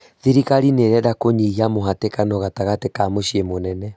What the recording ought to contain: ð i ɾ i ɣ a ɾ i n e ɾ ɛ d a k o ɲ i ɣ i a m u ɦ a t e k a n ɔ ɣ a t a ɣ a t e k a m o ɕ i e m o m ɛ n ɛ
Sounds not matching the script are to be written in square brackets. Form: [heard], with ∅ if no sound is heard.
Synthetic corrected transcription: ð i ɾ i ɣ a ɾ i n e ɾ ɛ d a k o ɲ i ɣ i a m [o] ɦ a t e k a n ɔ ɣ a t a ɣ a t e k a m o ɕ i e m o [n] ɛ n ɛ